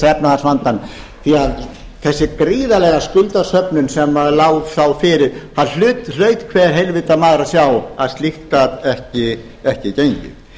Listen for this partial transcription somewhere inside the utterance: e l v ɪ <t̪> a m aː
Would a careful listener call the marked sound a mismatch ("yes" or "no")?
no